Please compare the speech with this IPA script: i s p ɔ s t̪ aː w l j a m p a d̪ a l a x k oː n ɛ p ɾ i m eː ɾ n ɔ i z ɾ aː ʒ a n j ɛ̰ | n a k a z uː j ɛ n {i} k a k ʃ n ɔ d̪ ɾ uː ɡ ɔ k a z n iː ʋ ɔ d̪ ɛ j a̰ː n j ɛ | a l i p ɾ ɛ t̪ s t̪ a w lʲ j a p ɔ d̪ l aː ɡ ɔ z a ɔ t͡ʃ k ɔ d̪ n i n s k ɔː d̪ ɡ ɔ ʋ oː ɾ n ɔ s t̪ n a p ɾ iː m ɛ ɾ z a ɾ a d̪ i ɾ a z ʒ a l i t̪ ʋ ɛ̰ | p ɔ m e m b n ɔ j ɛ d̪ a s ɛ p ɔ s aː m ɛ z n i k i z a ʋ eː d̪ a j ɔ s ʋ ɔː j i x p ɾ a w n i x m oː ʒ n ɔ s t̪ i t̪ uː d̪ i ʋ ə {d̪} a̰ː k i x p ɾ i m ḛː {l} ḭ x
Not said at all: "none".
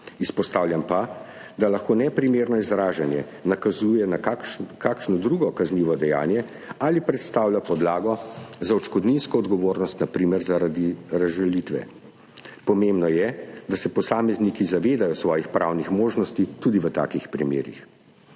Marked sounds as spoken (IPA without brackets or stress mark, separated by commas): a, t̪, ɾ